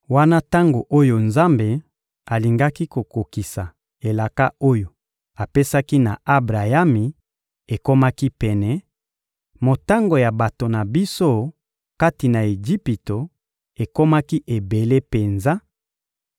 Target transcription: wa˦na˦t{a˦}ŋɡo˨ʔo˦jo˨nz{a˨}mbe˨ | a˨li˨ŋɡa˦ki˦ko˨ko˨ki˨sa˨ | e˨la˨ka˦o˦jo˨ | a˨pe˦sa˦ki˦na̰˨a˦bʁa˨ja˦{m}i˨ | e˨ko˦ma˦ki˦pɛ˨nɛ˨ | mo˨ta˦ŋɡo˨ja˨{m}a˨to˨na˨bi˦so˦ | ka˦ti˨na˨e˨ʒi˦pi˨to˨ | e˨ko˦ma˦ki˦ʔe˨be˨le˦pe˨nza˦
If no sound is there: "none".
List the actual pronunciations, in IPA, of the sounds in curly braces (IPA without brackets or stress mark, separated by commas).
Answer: a˦, a˦, m, b